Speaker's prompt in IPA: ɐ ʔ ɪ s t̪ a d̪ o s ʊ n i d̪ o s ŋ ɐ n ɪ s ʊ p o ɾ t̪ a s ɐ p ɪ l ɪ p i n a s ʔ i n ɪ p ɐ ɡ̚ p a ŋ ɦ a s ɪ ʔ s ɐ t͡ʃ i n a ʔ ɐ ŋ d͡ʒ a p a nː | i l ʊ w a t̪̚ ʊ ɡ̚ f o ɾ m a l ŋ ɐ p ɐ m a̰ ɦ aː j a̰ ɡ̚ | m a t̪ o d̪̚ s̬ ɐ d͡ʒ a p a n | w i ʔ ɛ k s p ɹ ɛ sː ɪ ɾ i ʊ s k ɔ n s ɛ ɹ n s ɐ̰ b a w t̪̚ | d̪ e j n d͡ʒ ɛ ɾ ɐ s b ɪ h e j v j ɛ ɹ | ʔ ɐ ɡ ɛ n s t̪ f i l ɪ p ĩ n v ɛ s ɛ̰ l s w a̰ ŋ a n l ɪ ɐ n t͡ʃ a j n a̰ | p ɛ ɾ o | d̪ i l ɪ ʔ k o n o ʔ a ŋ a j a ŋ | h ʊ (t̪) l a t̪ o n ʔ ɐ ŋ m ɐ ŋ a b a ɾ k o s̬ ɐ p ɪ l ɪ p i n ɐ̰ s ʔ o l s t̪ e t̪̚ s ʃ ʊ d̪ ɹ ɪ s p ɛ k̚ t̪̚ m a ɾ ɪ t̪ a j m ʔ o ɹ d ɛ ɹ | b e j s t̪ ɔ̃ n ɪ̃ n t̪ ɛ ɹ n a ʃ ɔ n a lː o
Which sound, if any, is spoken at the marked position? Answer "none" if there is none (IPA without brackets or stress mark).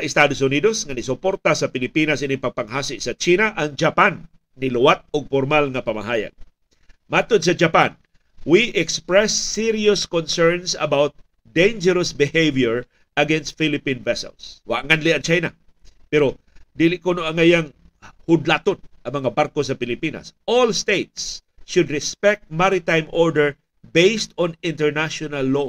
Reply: d̪